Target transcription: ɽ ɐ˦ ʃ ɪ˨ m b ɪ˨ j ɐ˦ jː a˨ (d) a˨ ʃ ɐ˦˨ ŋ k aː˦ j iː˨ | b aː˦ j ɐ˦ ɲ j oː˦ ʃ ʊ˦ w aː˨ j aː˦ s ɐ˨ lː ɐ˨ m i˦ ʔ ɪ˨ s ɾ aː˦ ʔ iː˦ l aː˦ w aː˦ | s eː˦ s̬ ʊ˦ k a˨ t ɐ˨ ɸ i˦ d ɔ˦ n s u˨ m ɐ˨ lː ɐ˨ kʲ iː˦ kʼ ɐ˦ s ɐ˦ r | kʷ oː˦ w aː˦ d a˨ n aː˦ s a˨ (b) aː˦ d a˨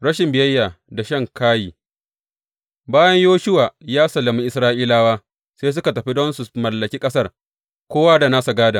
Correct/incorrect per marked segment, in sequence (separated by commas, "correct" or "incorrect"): correct, incorrect